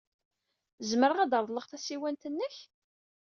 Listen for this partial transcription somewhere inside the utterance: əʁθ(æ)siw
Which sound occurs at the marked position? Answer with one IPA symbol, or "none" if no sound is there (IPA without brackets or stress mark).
æ